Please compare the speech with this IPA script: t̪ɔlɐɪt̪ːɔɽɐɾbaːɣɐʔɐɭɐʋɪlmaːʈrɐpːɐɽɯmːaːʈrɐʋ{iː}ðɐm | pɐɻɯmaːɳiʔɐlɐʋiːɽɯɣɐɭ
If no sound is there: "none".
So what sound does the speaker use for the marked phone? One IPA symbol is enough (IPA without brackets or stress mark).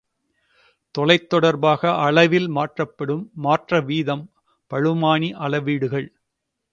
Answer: iː